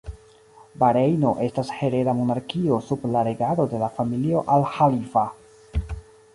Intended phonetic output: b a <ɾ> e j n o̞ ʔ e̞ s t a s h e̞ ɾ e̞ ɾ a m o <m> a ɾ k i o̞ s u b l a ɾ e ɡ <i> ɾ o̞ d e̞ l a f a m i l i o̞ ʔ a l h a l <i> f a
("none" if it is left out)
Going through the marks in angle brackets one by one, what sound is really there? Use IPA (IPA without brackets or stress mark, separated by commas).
ɾ, n, a, i